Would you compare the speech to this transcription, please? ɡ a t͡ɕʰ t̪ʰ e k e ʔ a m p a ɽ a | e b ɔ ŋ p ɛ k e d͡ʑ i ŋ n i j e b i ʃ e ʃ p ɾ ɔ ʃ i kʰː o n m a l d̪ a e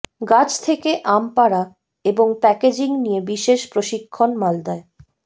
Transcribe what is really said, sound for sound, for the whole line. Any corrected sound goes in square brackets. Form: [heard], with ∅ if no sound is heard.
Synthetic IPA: ɡ a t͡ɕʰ t̪ʰ e k e ʔ a m p a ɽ a | e b [o] ŋ p ɛ k e d͡ʑ i ŋ n i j e b i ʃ e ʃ p ɾ [o] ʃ i kʰː o n m a l d̪ a e